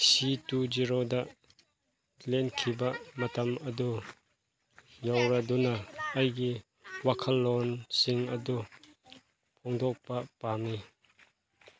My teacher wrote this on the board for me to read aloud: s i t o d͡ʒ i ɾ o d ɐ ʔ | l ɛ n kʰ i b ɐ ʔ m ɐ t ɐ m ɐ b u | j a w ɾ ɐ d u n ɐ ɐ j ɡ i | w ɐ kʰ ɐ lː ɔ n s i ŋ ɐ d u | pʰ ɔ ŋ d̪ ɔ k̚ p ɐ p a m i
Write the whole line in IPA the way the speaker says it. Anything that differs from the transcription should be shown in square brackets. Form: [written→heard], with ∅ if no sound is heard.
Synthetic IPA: s i t [o→u] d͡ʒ i ɾ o d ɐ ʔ | l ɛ n kʰ i b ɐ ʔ m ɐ t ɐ m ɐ [b→d] u | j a w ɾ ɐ d u n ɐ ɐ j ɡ i | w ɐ kʰ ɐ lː ɔ n s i ŋ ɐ d u | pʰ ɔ ŋ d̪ ɔ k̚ p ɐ p a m i